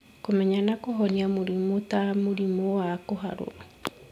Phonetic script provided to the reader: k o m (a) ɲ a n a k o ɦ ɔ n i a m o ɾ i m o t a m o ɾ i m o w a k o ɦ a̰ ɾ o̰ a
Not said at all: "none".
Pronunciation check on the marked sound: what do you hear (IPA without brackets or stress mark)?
ɛ